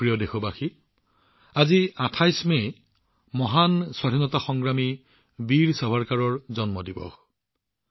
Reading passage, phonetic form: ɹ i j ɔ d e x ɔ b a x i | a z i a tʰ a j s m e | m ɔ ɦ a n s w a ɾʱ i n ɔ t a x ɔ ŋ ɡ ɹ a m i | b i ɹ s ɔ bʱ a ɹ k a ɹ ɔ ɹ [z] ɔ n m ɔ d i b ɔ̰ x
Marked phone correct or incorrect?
correct